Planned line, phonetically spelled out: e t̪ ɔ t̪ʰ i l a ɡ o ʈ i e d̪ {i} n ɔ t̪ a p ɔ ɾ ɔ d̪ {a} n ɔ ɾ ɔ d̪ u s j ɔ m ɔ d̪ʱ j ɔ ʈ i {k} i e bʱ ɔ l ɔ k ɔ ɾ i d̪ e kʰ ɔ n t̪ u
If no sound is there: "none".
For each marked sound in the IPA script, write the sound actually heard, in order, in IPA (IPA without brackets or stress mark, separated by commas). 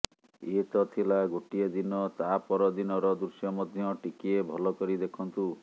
i, i, k